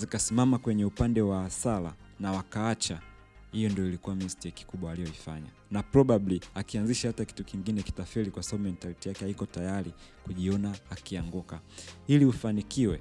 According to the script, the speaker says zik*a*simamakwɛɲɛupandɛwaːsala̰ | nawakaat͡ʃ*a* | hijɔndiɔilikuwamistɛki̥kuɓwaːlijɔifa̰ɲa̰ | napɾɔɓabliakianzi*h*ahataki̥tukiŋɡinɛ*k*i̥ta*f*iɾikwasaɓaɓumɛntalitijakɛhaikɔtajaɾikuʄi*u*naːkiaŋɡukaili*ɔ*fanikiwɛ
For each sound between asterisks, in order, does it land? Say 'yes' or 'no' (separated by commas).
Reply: yes, yes, no, yes, yes, no, no